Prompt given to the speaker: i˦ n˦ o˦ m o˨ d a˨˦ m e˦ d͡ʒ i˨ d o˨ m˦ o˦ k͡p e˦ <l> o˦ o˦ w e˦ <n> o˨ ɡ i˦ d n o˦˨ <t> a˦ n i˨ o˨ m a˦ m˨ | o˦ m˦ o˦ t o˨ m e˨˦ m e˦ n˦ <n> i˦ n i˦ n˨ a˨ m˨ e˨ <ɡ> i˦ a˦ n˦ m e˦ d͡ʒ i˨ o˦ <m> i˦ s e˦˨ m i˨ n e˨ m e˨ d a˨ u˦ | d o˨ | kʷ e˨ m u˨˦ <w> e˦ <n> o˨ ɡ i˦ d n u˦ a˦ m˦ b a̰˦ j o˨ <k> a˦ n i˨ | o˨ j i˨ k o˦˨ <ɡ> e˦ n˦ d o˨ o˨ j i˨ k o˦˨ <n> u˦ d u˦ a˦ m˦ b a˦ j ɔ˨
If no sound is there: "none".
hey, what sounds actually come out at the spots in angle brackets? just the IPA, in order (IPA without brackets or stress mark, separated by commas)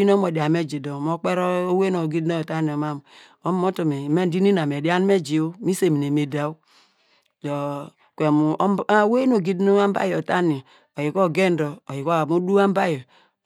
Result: ɾ, n, t, d, d, m, w, n, t, ɡ, m